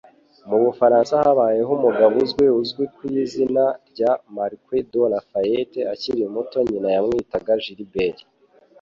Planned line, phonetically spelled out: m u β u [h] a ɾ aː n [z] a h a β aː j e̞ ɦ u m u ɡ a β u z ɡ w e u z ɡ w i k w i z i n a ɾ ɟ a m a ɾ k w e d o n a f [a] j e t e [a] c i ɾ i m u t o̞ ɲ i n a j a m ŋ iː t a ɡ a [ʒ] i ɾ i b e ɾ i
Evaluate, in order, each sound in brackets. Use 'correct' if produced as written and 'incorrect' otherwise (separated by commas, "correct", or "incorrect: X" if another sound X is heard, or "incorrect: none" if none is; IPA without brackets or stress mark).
incorrect: f, incorrect: s, correct, correct, correct